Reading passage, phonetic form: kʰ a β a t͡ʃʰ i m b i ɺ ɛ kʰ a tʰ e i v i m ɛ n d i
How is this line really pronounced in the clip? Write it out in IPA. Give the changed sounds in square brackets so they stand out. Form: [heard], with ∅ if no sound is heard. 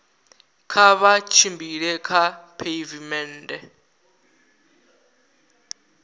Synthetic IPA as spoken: kʰ a β a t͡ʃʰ i m b i ɺ ɛ kʰ a [pʰ] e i v i m ɛ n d [ɛ]